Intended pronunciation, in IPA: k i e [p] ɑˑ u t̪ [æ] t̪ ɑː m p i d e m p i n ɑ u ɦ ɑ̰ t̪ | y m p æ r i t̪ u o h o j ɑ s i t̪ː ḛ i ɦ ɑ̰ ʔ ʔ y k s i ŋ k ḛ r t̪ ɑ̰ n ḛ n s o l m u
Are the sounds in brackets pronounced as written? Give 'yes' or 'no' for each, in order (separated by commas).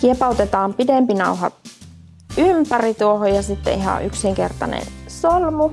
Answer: yes, no